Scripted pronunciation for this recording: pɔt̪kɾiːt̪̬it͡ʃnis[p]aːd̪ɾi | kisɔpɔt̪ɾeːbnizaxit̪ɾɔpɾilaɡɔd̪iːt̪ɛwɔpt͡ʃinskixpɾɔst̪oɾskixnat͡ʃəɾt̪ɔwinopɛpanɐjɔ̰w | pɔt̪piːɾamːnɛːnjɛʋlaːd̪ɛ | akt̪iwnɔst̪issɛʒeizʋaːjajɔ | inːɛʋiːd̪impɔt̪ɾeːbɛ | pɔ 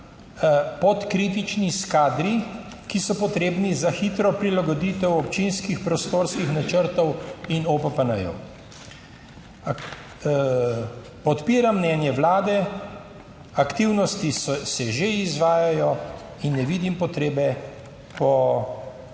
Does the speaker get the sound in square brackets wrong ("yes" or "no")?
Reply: yes